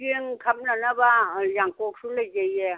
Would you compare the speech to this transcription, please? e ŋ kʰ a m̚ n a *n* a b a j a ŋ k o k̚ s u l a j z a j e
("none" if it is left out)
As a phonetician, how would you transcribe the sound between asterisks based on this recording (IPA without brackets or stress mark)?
n